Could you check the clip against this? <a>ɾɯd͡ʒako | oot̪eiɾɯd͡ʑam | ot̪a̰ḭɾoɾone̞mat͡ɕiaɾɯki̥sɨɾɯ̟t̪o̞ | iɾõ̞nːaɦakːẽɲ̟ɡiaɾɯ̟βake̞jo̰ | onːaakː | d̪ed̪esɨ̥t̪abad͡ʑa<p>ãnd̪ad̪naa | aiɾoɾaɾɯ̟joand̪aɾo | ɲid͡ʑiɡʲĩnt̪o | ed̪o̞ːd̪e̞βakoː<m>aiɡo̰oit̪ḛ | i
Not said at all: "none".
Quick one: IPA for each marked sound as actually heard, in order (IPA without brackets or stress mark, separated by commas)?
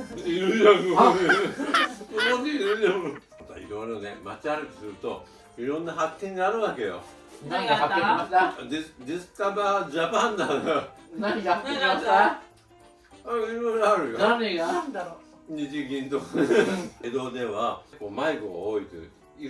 i, p, m